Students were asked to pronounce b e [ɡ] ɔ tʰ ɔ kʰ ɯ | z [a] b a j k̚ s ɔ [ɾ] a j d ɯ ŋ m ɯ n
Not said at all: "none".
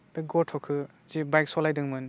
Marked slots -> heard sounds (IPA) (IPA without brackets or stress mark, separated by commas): ɡ, i, l